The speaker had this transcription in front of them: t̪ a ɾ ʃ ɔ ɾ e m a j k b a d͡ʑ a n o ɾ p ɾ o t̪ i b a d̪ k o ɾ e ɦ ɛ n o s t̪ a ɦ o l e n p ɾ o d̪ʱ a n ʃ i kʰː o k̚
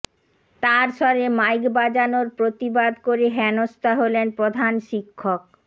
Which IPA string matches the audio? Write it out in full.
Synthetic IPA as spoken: t̪ a ɾ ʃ ɔ ɾ e m a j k b a d͡ʑ a n o ɾ p ɾ o t̪ i b a d̪ k o ɾ e ɦ ɛ n o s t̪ a ɦ o l e n p ɾ o d̪ʱ a n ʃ i kʰː o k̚